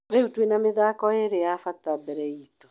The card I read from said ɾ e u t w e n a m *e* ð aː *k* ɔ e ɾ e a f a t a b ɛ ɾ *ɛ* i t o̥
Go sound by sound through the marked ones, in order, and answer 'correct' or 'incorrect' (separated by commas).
correct, correct, correct